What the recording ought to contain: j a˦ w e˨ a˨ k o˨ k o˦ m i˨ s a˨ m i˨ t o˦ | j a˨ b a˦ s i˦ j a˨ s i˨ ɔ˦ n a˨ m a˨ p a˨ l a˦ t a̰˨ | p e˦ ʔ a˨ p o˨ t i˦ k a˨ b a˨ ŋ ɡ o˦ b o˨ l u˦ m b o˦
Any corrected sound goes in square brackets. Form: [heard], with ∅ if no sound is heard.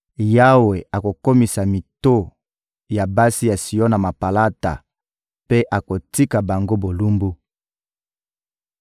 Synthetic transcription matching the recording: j a˦ w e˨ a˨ k o˨ k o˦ m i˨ s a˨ m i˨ t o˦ | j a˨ b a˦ s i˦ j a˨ s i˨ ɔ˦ n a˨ m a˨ p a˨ l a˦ t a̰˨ | p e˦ ʔ a˨ [k] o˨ t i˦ k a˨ b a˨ ŋ ɡ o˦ b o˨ l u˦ m b [u˦]